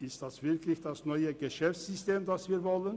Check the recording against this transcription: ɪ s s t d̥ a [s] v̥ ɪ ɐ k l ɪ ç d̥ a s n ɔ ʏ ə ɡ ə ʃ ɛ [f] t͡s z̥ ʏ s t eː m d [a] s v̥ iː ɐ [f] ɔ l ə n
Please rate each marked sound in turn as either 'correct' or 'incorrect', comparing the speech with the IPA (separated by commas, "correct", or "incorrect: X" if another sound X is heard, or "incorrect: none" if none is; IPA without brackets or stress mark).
correct, correct, correct, incorrect: v